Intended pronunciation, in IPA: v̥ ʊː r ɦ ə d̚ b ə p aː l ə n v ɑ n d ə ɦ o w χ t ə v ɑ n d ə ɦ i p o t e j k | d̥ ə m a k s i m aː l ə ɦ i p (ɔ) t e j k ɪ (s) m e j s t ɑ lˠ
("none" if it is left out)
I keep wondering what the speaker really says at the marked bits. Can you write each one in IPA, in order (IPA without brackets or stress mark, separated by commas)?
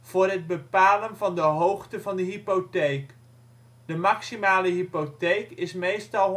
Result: o, s